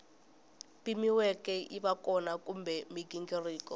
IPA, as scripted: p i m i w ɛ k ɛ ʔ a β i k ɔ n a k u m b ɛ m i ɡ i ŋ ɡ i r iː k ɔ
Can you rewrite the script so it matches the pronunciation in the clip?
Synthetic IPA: p i m i w ɛ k ɛ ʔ i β a k ɔ n a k u m b ɛ m i ɡ i ŋ ɡ i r iː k ɔ